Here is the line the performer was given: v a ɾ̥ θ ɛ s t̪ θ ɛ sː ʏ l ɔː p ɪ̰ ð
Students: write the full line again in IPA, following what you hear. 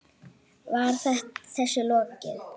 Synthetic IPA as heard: v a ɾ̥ θ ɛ h t̪ θ ɛ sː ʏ l ɔː c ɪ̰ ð